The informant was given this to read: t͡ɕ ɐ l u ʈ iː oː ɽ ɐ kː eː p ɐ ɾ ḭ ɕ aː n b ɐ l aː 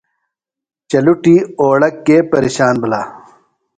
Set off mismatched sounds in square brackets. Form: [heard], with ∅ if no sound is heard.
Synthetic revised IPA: t͡ɕ ɐ l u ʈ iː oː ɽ ɐ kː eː p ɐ ɾ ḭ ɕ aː n b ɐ l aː